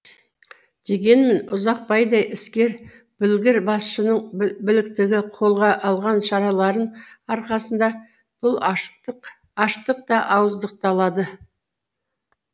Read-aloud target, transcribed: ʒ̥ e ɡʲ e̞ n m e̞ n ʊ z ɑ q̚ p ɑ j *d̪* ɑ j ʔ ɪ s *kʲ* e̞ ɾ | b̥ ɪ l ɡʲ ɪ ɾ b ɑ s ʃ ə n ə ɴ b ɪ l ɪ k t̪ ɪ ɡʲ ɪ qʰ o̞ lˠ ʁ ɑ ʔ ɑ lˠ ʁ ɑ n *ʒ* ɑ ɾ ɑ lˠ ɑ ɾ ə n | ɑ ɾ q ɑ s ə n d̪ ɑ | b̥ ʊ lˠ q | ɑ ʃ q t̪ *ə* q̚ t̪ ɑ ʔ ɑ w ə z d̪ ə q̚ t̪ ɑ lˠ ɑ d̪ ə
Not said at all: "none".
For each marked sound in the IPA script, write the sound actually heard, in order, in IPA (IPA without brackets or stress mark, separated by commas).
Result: d̪, kʲ, ʃ, ə